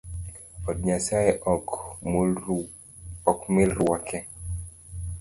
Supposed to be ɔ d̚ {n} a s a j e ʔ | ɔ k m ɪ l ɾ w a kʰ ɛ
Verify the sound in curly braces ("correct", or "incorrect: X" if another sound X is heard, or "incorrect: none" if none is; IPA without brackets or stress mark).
incorrect: ɲ